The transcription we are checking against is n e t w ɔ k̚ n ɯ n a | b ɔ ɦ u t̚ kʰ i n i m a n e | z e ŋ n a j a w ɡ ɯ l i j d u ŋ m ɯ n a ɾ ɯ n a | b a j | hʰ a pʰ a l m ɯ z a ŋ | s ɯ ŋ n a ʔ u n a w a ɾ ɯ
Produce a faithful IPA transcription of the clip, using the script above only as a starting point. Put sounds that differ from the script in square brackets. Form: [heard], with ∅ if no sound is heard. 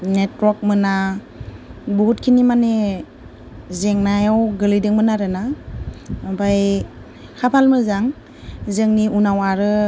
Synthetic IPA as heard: n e t w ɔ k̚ [m] ɯ n a | b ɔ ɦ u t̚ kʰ i n i m a n e | z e ŋ n a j a w ɡ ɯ l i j d [ɯ] ŋ m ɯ n a ɾ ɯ n a | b a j | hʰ a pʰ a l m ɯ z a ŋ | [z] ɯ ŋ n [i] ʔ u n a w a ɾ ɯ

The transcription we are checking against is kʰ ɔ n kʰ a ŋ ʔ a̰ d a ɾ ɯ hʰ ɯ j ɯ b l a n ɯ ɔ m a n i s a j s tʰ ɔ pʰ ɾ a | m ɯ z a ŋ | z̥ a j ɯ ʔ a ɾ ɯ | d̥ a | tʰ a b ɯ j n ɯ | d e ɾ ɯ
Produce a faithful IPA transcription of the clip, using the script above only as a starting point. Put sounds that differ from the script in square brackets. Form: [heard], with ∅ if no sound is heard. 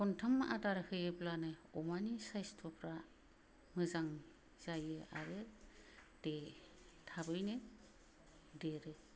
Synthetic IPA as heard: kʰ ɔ n [tʰ] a [m] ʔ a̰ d a ɾ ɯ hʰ ɯ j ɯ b l a n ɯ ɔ m a n i s a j s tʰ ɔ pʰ ɾ a | m ɯ z a ŋ | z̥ a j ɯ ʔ a ɾ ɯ | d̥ [e] | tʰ a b ɯ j n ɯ | d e ɾ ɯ

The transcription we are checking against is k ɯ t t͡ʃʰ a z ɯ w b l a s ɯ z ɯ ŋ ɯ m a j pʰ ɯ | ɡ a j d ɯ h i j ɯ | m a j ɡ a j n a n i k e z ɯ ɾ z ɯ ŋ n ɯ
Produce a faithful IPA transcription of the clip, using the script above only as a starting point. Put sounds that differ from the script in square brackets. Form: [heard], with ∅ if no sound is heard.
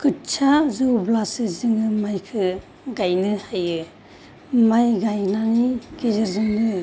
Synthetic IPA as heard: k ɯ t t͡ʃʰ a z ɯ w b l a s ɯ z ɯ ŋ ɯ m a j [kʰ] ɯ | ɡ a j [n] ɯ h [a] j ɯ | m a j ɡ a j n a n i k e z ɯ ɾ z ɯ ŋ n ɯ

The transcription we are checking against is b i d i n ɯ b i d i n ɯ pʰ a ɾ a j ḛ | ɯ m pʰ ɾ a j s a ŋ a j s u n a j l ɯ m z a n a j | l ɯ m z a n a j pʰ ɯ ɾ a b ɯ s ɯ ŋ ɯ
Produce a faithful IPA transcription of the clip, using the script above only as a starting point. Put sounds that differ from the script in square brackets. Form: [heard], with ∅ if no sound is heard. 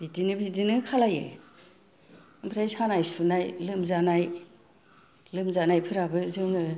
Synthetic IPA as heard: b i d i n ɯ b i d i n ɯ [kʰ] a [l] a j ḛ | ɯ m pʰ ɾ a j s a [n] a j s u n a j l ɯ m z a n a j | l ɯ m z a n a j pʰ ɯ ɾ a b ɯ [z] ɯ ŋ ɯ

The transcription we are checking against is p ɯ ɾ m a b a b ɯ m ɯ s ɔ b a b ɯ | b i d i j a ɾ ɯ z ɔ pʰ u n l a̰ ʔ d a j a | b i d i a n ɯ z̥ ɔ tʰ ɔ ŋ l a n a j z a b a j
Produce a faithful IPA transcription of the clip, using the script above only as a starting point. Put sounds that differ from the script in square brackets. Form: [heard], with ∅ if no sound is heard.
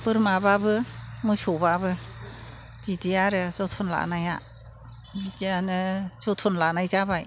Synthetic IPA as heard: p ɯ ɾ m a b a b ɯ m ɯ s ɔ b a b ɯ | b i d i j a ɾ ɯ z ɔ [tʰ] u n l a̰ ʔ [n] a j a | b i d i a n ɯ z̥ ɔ tʰ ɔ [n] l a n a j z a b a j

